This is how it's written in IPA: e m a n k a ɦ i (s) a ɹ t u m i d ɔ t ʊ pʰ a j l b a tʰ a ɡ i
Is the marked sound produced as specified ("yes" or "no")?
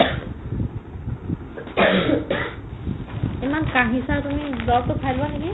yes